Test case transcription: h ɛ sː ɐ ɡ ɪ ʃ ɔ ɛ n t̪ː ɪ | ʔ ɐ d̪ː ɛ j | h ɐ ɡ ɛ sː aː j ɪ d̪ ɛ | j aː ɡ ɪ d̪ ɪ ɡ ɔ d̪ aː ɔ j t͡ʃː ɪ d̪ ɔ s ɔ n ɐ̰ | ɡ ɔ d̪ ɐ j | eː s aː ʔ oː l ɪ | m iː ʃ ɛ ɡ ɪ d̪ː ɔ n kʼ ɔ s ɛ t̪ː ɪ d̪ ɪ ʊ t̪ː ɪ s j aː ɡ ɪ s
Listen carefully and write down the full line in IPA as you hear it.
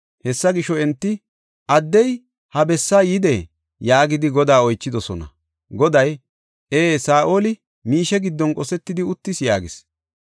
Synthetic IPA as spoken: h ɛ sː ɐ ɡ ɪ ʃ ɔ ɛ n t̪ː ɪ | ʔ ɐ d̪ː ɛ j | h ɐ b ɛ sː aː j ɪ d̪ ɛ | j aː ɡ ɪ d̪ ɪ ɡ ɔ d̪ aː ɔ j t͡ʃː ɪ d̪ ɔ s ɔ n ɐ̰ | ɡ ɔ d̪ ɐ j | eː s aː ʔ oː l ɪ | m iː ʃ ɛ ɡ ɪ d̪ː ɔ n kʼ ɔ s ɛ t̪ː ɪ d̪ ɪ ʊ t̪ː ɪ s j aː ɡ ɪ s